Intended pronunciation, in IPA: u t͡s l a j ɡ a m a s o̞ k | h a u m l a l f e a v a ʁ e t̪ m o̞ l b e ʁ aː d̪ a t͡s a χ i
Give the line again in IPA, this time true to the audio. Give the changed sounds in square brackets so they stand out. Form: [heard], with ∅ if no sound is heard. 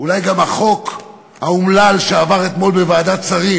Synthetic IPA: u [∅] l a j ɡ a m a [χ] o̞ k | h a u m l a l [ʃ] e a v a ʁ e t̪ m o̞ l b e [v] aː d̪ a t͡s a [ʁ] i